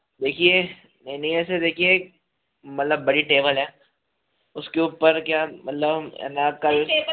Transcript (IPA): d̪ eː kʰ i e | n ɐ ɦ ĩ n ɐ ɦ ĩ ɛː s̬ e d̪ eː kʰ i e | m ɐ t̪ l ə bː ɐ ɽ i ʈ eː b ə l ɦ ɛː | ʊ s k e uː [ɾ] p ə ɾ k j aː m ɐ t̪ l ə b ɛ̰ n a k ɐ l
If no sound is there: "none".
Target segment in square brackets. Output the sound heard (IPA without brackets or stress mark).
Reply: none